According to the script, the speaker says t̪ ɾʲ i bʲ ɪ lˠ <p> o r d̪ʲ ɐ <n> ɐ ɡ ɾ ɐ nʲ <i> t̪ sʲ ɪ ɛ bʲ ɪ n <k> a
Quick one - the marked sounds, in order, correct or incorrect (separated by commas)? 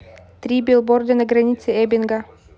incorrect, correct, correct, incorrect